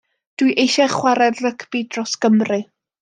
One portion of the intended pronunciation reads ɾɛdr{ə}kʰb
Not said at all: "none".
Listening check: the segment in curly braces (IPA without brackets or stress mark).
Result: ə